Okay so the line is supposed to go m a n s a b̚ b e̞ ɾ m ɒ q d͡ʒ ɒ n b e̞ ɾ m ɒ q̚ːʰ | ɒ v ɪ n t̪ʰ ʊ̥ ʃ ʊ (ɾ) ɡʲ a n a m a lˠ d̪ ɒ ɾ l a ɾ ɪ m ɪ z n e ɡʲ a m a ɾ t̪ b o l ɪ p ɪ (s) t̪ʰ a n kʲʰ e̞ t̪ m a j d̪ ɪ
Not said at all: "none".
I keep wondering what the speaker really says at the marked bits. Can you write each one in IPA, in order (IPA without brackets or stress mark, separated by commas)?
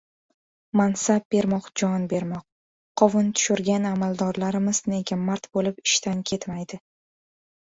ɾ, ʃ